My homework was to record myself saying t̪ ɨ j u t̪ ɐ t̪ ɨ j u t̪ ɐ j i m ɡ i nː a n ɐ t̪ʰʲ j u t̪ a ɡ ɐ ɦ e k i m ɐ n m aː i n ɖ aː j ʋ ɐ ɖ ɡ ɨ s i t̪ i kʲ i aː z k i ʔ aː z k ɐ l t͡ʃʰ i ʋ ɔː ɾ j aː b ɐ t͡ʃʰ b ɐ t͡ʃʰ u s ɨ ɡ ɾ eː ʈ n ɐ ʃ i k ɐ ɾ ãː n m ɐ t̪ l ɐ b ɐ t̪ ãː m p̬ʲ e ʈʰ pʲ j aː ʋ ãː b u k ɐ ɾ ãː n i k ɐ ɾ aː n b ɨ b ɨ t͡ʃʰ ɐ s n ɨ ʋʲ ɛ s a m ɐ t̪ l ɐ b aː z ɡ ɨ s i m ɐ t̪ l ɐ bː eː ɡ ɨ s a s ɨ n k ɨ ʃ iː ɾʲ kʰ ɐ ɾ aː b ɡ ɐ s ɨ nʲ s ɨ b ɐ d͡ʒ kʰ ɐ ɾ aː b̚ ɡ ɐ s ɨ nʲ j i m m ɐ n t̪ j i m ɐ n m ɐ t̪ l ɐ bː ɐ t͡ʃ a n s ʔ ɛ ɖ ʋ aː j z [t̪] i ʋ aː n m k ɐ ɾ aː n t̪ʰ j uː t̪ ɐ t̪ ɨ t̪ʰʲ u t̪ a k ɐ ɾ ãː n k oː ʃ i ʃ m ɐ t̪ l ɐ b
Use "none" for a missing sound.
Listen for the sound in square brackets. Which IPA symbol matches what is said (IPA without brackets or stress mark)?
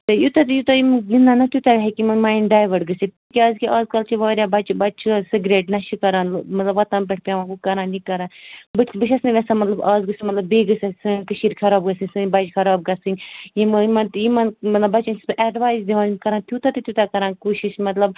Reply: d̪